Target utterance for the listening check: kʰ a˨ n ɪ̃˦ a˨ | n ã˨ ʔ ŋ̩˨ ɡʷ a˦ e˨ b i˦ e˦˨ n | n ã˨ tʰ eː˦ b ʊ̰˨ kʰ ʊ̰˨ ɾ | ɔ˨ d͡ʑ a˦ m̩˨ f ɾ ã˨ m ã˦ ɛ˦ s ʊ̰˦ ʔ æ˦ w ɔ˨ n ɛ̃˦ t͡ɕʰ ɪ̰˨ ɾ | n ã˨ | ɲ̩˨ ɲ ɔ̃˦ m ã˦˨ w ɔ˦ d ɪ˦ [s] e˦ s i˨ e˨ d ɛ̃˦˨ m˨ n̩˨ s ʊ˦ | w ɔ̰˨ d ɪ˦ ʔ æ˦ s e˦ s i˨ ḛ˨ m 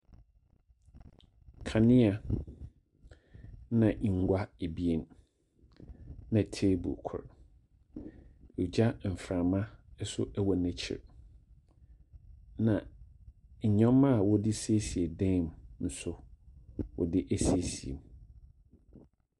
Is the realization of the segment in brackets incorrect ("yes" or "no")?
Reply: no